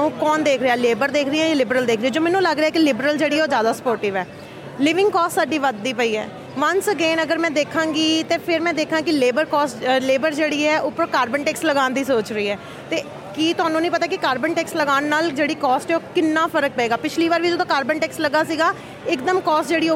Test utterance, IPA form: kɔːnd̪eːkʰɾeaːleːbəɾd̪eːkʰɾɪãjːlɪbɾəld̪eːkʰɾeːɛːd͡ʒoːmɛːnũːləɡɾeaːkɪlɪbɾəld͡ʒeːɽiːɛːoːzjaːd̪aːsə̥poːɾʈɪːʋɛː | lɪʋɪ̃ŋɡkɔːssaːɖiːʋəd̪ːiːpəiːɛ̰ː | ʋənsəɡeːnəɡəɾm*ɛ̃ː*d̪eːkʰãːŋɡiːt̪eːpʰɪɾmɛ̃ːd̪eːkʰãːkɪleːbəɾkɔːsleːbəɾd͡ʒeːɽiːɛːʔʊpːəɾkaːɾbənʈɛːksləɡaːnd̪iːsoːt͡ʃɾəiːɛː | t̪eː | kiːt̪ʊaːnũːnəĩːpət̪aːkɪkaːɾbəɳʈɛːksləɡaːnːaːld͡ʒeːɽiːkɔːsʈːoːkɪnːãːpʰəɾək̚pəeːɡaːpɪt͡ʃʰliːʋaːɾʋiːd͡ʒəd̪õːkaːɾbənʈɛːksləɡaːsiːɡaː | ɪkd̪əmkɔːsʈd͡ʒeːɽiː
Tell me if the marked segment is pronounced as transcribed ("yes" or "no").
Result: yes